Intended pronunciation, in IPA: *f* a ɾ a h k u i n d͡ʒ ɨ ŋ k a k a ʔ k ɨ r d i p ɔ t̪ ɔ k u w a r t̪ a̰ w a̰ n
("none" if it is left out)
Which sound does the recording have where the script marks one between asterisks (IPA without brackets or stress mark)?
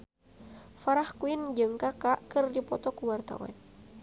f